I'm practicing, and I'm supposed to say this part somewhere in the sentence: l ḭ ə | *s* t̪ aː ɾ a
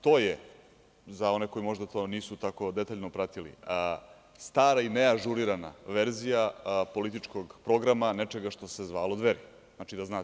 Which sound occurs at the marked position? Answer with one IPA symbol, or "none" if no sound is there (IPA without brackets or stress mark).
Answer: s